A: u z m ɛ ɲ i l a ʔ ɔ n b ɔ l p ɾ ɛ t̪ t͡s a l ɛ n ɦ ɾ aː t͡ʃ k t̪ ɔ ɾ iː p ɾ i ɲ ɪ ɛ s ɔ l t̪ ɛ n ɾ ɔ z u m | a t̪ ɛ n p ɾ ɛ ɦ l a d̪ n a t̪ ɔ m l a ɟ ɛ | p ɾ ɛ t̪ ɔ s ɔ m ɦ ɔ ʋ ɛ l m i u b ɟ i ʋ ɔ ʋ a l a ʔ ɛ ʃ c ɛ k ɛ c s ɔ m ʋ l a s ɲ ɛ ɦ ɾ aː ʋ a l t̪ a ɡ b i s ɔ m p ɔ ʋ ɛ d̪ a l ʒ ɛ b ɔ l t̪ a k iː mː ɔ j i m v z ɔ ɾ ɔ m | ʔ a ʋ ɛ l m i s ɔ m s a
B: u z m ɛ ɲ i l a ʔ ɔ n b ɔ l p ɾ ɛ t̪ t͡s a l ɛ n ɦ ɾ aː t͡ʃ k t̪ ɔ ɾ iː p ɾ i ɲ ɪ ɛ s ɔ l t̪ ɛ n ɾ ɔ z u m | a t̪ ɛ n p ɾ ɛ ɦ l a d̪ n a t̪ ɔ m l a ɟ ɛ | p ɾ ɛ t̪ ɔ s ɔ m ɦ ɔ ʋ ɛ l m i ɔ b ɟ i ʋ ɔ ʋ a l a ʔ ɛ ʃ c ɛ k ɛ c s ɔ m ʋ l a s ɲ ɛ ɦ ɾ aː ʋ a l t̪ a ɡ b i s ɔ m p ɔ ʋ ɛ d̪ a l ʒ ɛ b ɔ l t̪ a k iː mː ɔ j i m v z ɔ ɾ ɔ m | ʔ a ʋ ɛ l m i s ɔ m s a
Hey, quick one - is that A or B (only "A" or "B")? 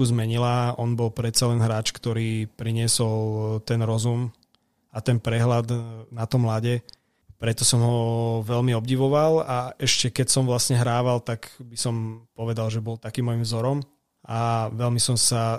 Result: B